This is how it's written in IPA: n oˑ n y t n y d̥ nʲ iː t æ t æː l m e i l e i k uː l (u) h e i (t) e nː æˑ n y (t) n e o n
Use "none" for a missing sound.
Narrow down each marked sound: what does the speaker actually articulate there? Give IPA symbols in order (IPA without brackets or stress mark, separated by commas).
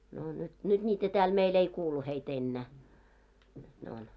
u, t, t